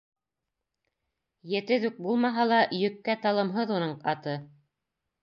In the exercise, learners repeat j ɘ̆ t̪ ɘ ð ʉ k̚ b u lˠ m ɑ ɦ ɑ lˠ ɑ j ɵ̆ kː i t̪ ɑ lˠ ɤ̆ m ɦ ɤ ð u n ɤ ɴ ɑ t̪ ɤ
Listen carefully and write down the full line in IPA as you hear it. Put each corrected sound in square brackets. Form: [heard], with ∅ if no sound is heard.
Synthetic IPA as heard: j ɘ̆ t̪ ɘ ð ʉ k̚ b u lˠ m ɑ ɦ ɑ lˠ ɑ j ɵ̆ kː [æ] t̪ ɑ lˠ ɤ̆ m ɦ ɤ ð u n ɤ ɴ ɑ t̪ ɤ